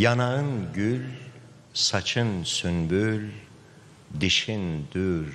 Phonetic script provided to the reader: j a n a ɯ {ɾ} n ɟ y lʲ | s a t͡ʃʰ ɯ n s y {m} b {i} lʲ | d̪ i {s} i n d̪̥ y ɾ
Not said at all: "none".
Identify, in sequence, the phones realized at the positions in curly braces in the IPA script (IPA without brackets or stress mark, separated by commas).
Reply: none, n, y, ʃ